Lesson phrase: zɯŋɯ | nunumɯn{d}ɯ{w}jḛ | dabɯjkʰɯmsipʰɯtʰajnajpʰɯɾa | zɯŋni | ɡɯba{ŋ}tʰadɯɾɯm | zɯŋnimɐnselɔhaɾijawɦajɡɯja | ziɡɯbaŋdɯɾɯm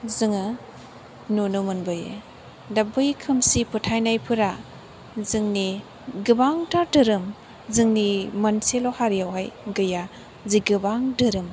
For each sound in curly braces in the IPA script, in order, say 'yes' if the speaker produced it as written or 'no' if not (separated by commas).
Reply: no, no, yes